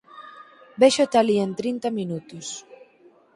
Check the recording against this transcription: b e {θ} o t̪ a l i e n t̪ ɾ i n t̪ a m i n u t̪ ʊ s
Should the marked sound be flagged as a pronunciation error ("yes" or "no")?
yes